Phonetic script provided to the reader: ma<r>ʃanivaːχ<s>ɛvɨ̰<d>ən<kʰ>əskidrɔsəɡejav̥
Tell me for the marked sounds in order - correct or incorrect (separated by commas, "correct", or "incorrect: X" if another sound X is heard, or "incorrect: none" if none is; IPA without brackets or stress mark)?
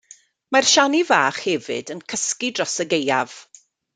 correct, incorrect: h, correct, correct